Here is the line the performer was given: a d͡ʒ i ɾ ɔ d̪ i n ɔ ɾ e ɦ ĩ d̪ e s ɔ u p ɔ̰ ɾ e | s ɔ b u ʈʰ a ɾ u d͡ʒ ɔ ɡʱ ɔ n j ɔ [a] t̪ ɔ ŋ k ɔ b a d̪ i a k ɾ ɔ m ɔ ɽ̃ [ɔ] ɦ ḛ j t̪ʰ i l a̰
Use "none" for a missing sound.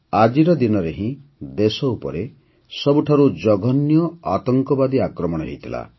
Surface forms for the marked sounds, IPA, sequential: a, ɔ

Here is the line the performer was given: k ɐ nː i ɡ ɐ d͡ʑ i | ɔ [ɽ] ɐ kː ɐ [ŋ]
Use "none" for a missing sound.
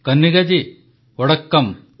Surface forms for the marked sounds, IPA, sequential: ɽ, m

